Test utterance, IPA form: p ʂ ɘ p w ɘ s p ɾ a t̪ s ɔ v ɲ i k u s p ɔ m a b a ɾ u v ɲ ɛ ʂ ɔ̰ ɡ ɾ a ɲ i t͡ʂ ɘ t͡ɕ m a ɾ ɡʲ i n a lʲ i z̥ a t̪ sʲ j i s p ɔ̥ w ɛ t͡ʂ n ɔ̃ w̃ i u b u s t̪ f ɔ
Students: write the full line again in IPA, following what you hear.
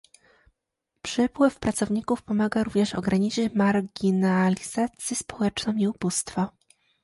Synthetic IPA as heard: p ʂ ɘ p w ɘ f p ɾ a t̪ s ɔ v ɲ i k u f p ɔ m a ɡ a ɾ u v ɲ ɛ ʂ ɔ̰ ɡ ɾ a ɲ i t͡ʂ ɘ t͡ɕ m a ɾ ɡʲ i n a lʲ i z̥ a t̪ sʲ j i s p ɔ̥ w ɛ t͡ʂ n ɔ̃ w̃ i u b u s t̪ f ɔ